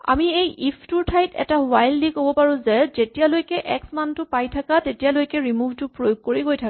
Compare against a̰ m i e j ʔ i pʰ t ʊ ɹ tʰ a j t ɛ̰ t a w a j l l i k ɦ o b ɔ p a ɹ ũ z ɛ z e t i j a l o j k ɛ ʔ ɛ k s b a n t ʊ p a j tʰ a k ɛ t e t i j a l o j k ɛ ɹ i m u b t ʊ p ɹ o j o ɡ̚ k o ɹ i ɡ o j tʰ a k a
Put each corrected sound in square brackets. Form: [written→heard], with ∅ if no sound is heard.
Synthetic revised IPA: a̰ m i e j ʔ i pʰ t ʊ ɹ tʰ a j t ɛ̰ t a w a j l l i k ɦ o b ɔ p a ɹ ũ z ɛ z e t i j a l o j k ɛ ʔ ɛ k s [b→m] a n t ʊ p a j tʰ a k [ɛ→a] t e t i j a l o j k ɛ ɹ i m u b t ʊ p ɹ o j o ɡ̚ k o ɹ i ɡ o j tʰ a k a